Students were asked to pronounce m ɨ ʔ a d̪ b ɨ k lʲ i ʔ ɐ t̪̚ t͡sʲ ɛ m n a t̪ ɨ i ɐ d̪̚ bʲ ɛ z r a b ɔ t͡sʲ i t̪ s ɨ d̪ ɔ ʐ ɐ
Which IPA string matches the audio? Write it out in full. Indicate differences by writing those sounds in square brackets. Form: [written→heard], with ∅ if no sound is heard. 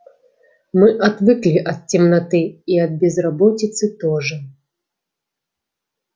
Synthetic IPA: m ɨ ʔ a d̪ [b→v] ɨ k lʲ i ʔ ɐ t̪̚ t͡sʲ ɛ m n a t̪ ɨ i ɐ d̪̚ bʲ ɛ z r a b ɔ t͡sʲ i t̪ s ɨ [d̪→t̪] ɔ ʐ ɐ